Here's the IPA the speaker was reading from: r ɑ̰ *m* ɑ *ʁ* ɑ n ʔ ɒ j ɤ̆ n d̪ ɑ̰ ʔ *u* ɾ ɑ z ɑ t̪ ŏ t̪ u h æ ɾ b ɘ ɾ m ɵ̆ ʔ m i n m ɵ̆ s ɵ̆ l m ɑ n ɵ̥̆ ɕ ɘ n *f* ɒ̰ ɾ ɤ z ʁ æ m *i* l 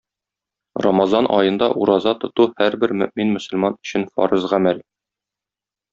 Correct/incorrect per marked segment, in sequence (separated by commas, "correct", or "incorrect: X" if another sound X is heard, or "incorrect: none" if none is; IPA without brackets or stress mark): correct, incorrect: z, correct, correct, incorrect: æ